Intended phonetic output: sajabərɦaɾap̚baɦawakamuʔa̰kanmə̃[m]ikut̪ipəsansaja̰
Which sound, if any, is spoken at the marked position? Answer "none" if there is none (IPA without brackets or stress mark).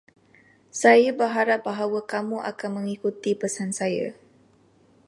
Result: ŋ